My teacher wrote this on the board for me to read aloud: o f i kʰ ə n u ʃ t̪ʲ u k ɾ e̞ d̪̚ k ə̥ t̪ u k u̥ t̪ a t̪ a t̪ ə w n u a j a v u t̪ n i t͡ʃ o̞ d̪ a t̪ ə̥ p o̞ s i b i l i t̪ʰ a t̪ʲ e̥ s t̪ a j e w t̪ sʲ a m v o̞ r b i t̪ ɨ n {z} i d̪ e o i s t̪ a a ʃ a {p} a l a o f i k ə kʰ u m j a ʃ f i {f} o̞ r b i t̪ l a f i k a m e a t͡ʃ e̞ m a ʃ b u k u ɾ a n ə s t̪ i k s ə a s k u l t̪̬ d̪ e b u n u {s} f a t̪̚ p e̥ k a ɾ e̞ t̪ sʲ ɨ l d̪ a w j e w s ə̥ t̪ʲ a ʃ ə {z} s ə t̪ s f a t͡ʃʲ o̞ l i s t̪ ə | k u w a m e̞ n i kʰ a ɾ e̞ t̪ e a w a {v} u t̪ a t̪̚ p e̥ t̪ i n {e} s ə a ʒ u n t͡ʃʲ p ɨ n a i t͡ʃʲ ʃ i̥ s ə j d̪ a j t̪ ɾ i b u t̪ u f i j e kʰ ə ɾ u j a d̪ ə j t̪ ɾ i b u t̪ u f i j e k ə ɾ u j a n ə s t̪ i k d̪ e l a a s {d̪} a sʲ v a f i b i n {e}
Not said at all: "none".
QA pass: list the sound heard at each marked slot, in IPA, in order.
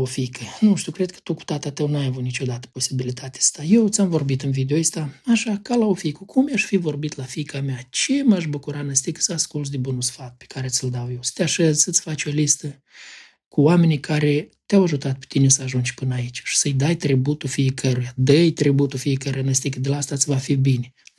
v, k, v, s, z, ʒ, e, t̪, e

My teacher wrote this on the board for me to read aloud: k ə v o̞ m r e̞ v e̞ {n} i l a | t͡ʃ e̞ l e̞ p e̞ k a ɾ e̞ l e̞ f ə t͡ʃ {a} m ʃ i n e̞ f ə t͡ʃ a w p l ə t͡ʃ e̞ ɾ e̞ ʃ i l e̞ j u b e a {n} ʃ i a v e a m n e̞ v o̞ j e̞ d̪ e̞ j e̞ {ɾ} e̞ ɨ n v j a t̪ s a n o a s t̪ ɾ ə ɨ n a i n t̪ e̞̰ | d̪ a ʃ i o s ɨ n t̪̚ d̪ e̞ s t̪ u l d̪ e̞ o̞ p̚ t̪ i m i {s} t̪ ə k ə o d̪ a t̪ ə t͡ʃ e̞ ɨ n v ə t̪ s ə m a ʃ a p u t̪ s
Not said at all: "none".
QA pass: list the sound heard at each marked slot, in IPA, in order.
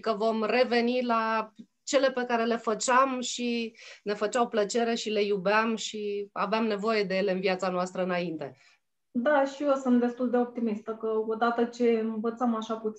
n, a, m, l, s

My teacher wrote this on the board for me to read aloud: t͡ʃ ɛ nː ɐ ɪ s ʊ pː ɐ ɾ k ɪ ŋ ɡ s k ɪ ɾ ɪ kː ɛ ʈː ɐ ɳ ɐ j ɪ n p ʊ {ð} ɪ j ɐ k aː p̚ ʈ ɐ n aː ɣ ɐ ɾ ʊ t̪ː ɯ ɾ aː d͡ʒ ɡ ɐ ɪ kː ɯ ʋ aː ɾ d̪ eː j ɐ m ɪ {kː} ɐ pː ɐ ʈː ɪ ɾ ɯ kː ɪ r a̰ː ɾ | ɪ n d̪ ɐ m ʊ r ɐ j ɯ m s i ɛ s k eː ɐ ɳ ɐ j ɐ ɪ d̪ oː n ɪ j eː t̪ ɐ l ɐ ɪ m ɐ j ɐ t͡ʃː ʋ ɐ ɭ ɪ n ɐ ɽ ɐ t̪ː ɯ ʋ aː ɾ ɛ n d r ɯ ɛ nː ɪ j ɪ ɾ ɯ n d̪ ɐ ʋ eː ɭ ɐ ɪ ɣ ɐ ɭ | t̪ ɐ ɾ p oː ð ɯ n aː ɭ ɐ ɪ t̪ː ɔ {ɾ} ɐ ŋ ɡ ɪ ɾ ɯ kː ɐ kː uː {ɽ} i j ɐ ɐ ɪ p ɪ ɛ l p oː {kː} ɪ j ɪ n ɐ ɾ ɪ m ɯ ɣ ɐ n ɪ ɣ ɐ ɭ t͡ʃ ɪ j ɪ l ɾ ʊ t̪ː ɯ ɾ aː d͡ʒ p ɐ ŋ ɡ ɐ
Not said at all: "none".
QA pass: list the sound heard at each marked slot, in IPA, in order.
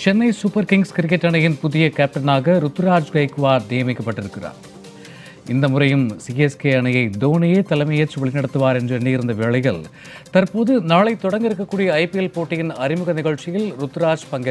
ð, kː, ɽ, ɽ, ʈː

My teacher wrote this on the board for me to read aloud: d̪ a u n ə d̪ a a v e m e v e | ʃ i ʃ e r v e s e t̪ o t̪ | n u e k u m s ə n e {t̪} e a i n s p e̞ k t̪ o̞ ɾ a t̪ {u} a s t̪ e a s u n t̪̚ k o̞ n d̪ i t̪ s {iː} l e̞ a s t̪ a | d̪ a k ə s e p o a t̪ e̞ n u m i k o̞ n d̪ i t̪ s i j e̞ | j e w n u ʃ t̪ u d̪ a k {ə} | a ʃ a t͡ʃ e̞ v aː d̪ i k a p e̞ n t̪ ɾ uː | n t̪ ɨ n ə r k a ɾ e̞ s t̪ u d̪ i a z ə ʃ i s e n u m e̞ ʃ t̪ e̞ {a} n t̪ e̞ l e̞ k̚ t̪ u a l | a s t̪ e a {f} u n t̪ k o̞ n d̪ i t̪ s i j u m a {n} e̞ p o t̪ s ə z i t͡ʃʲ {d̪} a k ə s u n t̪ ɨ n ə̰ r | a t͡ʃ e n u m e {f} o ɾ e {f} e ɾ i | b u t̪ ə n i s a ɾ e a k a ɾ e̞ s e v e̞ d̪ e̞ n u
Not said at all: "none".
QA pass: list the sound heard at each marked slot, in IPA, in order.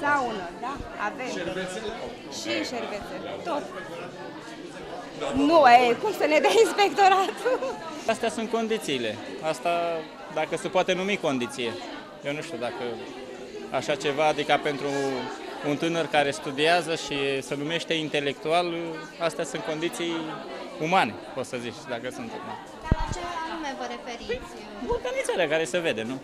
d̪, u, iː, ə, i, s, n, d̪, v, f

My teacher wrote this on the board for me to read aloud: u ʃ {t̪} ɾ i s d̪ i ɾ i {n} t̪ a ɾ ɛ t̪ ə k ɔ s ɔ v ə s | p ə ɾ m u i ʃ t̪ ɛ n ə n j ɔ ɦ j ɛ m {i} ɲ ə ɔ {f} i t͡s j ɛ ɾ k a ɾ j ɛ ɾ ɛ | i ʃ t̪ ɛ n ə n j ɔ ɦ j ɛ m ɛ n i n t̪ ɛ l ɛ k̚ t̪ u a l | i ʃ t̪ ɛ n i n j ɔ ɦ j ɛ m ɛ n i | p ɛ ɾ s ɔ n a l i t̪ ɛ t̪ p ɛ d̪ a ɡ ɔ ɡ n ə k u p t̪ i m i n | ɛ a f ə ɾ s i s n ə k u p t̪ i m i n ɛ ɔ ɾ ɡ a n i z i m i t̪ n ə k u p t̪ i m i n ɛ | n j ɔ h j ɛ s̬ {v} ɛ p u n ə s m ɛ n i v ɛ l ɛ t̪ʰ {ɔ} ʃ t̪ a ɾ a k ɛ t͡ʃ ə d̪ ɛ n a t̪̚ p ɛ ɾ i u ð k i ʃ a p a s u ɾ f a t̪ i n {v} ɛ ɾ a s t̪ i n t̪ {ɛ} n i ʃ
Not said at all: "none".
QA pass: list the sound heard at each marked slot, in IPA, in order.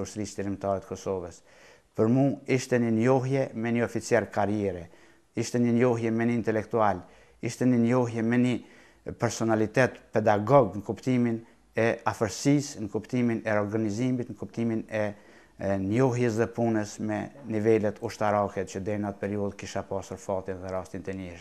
t̪, m, ɛ, f, ð, u, ð, ɛ

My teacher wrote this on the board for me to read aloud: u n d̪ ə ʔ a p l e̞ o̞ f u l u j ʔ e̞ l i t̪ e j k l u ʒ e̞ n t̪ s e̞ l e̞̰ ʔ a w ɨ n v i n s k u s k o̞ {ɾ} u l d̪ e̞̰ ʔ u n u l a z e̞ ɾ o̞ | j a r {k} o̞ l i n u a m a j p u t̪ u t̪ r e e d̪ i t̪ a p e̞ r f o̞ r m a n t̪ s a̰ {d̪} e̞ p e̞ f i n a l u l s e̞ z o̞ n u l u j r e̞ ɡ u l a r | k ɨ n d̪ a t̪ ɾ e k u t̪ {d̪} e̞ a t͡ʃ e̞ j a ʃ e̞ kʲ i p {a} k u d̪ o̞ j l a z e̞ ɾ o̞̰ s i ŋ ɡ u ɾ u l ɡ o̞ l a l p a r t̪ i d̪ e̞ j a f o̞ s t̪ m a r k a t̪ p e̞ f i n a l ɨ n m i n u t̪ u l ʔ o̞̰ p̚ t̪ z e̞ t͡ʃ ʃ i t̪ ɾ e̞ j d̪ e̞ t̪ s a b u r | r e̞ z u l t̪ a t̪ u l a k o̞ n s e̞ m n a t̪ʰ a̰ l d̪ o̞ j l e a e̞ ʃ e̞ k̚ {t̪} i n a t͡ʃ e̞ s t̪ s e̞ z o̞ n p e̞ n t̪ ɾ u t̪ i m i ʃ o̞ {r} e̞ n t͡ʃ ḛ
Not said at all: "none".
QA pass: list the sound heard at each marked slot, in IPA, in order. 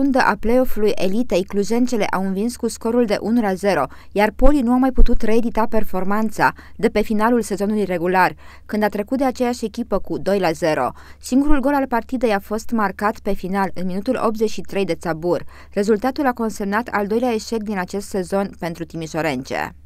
ɾ, p, d̪, d̪, ə, d̪, ɾ

